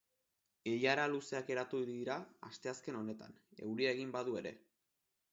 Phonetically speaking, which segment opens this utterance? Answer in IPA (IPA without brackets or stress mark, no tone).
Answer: e